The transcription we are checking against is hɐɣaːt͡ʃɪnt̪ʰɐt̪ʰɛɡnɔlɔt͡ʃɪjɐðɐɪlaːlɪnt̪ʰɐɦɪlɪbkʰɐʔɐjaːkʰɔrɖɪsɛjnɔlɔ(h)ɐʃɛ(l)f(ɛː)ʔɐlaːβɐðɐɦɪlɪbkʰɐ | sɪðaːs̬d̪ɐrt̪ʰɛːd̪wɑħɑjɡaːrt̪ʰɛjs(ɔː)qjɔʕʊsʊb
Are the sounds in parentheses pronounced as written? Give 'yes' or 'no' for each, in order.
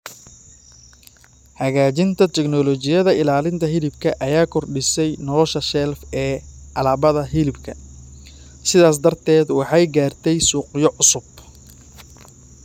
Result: no, yes, yes, no

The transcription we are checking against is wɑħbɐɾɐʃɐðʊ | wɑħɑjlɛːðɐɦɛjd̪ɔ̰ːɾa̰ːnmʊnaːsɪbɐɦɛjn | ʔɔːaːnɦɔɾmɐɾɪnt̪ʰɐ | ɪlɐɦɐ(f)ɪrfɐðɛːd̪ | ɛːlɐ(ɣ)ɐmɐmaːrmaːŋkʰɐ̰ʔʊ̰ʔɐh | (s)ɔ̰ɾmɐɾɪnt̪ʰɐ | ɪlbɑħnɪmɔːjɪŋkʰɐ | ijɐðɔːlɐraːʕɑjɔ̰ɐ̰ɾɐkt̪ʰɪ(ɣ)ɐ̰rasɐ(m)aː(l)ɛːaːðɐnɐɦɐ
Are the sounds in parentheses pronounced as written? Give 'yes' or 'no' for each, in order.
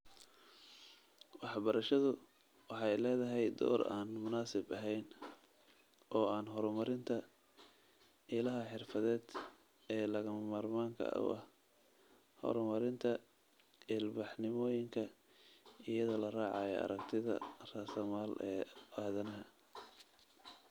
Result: no, yes, no, no, yes, yes

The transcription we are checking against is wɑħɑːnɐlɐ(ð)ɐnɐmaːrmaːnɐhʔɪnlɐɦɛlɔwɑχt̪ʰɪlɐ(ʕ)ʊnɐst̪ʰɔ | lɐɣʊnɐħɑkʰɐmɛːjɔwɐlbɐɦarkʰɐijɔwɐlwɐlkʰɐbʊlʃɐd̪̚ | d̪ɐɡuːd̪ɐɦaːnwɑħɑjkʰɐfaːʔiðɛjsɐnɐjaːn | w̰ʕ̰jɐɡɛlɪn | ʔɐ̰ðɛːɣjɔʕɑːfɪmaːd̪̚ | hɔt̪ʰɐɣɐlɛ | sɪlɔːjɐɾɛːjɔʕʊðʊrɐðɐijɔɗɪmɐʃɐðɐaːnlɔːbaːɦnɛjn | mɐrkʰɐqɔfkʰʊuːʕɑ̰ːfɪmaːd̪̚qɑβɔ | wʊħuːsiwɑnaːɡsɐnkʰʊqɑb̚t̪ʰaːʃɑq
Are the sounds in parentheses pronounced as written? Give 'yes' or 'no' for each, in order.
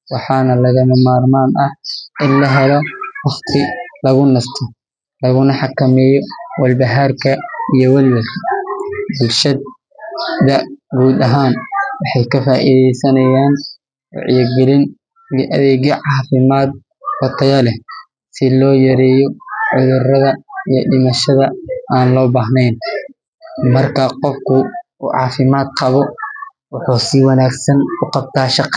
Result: no, no

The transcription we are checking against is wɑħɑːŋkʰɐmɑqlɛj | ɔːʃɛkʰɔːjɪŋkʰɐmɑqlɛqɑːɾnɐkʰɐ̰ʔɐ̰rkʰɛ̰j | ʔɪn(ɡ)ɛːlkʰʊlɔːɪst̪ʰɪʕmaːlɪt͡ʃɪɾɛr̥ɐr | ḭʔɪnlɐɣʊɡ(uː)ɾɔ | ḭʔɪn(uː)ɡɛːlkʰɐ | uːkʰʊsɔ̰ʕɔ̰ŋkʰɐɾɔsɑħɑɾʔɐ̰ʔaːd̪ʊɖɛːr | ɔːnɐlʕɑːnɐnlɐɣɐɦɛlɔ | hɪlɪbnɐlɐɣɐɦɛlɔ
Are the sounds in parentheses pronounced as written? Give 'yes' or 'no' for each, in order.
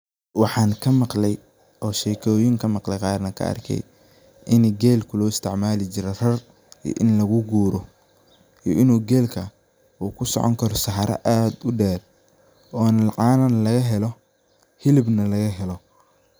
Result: yes, yes, yes

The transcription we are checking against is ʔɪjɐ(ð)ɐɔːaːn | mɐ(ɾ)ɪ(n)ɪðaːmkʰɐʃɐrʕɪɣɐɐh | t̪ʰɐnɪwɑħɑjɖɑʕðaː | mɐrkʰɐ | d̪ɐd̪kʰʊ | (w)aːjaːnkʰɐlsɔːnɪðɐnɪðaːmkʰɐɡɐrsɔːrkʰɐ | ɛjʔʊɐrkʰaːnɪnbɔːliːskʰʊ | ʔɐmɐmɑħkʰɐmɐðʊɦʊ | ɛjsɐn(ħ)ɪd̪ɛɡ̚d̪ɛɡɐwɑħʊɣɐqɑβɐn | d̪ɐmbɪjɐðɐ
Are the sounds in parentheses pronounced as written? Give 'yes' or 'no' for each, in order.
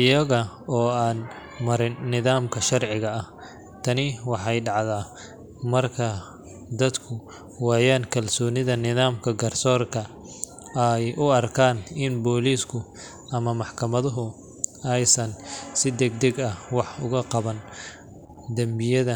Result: no, yes, no, yes, no

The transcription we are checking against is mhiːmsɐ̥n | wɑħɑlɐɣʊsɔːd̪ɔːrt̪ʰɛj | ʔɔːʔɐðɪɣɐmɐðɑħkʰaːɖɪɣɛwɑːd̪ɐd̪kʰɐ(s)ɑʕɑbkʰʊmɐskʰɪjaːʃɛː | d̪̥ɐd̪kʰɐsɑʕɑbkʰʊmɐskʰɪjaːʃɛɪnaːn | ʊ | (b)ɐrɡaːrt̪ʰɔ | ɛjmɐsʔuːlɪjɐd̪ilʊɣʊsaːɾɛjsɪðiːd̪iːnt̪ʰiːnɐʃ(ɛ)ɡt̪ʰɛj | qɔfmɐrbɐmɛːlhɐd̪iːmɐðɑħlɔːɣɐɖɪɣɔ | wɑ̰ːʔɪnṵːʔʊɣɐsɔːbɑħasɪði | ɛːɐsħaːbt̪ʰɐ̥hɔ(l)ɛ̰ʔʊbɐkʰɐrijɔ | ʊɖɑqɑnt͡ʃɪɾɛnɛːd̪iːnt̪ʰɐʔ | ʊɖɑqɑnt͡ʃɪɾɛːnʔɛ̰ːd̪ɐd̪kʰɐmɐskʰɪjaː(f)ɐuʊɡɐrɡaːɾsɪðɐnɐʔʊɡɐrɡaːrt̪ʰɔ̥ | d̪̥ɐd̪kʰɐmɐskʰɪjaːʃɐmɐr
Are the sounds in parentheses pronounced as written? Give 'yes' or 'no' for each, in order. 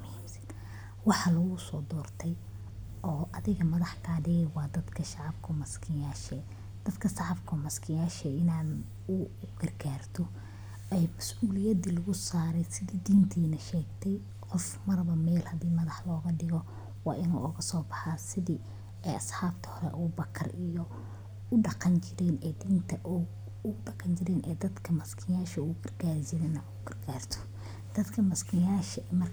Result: no, no, no, no, no

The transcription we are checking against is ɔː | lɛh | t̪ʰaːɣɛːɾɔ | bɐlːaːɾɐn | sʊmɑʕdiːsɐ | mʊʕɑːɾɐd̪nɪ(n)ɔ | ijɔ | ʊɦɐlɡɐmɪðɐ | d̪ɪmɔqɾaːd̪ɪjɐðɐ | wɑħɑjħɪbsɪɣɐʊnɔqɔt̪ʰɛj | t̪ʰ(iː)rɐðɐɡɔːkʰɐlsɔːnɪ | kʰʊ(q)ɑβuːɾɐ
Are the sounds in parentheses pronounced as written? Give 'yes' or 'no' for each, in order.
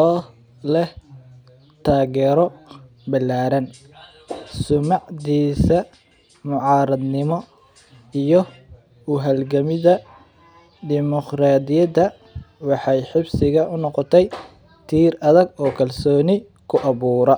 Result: no, yes, no

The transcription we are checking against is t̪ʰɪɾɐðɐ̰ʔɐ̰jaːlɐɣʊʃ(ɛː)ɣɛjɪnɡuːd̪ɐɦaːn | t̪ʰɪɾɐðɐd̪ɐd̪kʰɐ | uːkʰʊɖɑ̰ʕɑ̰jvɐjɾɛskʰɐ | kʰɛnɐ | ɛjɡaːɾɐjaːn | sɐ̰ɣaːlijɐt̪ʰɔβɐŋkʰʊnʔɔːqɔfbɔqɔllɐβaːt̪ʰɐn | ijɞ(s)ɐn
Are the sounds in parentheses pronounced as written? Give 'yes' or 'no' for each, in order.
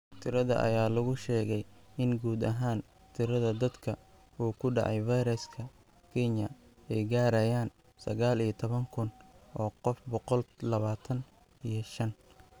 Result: yes, no

